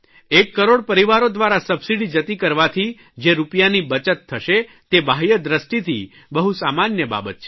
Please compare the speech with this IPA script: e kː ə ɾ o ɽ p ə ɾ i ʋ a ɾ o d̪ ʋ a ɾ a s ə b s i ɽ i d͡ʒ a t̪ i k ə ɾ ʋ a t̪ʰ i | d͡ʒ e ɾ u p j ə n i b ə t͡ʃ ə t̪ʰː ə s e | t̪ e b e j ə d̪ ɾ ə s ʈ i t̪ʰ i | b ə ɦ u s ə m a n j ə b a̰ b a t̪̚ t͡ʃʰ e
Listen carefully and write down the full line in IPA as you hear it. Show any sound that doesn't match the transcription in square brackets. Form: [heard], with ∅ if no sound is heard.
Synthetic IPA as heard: e kː ə ɾ o ɽ p ə ɾ i ʋ a ɾ o d̪ ʋ a ɾ a s ə b s i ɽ i d͡ʒ [ə] t̪ i k ə ɾ ʋ a t̪ʰ i | d͡ʒ e ɾ u p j [a] n i b ə t͡ʃ ə t̪ʰː ə [ʃ] e | t̪ e b [a] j ə d̪ ɾ ə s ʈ i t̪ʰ i | b ə ɦ u s [a] m a n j ə b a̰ b [ə] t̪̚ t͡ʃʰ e